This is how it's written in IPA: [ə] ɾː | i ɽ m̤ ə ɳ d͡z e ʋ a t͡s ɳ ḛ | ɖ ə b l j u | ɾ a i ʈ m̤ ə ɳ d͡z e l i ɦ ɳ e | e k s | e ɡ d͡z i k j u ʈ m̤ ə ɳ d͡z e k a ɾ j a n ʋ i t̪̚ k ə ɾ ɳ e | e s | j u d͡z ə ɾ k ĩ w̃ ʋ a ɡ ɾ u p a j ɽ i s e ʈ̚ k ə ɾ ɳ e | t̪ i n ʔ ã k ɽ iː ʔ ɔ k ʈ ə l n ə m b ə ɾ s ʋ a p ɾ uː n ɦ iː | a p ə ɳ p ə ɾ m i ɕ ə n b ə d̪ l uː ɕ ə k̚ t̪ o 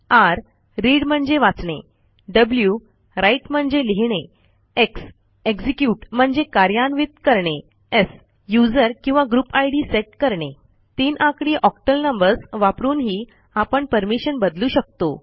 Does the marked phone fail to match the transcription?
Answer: yes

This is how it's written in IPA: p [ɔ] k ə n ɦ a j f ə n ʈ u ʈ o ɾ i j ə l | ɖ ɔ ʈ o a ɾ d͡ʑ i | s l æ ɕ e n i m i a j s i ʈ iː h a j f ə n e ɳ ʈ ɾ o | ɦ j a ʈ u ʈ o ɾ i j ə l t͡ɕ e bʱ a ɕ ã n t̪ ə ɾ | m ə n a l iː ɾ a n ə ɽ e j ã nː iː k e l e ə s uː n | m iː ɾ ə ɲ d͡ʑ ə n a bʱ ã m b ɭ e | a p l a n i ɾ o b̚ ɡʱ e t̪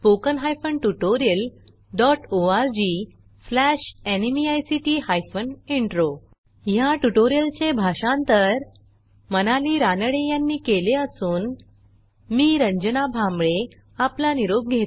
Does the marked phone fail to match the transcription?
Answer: yes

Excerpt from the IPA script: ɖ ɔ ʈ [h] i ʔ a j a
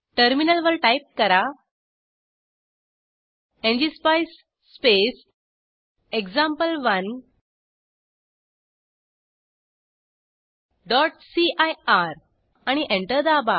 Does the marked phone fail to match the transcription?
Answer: yes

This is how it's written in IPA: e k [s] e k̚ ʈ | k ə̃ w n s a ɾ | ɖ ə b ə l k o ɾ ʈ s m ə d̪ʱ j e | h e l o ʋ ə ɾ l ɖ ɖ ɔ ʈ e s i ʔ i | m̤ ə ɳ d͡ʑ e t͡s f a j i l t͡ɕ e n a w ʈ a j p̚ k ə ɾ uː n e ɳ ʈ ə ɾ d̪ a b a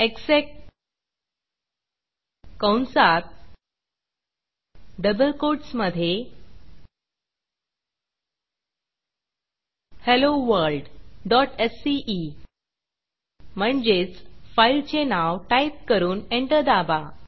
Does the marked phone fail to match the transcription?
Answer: no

